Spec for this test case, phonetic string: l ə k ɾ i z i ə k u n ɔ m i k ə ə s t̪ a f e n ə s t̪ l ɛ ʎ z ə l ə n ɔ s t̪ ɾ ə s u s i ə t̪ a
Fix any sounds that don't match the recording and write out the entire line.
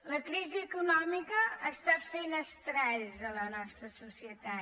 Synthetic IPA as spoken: l ə k ɾ i z i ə k u n ɔ m i k ə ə s t̪ a f e n ə s t̪ ɾ ɛ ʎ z ə l ə n ɔ s t̪ ɾ ə s u s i ə t̪ a